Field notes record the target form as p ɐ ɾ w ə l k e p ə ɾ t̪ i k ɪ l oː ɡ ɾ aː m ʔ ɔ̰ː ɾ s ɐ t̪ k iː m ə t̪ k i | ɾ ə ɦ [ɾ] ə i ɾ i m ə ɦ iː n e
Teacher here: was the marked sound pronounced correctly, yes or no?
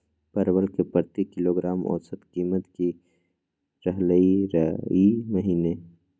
no